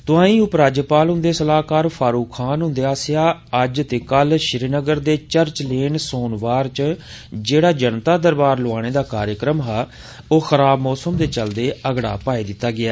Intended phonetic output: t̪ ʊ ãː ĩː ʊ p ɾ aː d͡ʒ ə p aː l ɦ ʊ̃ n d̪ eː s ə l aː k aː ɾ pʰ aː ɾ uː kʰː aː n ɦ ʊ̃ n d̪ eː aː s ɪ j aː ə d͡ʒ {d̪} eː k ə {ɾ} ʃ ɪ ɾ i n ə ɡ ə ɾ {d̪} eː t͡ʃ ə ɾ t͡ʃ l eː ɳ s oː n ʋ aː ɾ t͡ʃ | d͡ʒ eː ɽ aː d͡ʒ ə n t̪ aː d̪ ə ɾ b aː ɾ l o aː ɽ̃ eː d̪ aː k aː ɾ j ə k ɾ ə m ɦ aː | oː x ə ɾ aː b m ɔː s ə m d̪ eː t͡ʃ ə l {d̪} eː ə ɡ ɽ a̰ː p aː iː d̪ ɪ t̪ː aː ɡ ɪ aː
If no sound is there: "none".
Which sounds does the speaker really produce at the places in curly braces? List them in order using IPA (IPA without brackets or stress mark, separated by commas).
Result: t̪, l, d̪, d̪